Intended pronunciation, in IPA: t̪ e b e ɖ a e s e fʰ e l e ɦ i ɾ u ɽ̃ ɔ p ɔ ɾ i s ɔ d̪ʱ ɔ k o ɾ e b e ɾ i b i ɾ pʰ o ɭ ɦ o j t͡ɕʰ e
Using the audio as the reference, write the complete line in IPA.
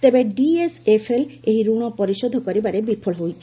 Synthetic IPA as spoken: t̪ e b e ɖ i e s e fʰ e l e ɦ i ɾ u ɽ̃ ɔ p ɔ ɾ i ʃ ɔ d̪ʱ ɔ k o ɾ i b a ɾ e b i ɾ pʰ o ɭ ɦ o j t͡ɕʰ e